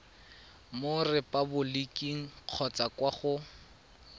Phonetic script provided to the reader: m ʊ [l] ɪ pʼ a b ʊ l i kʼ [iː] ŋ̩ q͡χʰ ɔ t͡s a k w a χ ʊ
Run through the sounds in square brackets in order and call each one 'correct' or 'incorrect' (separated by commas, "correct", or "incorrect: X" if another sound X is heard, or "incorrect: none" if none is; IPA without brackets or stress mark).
incorrect: r, incorrect: i